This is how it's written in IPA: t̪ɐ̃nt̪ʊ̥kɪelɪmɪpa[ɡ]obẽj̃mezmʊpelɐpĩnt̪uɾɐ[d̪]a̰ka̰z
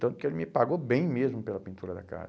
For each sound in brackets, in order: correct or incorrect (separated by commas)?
correct, correct